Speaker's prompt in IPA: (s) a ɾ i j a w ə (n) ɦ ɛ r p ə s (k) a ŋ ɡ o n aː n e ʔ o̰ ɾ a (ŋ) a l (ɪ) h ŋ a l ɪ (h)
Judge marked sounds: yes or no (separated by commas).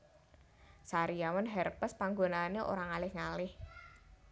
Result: yes, yes, no, yes, yes, yes